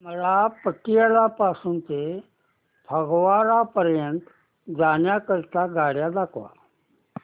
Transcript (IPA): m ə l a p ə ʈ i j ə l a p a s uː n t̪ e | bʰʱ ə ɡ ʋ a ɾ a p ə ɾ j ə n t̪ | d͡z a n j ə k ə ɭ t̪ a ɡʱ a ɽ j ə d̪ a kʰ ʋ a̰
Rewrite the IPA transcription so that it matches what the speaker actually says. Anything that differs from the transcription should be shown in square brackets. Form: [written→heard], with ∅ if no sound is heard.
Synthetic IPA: m ə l a p ə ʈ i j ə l a p a s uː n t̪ e | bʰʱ ə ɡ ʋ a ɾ a p ə ɾ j ə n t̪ | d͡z a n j [ə→a] k ə [ɭ→ɾ] t̪ a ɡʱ a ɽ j [ə→a] d̪ a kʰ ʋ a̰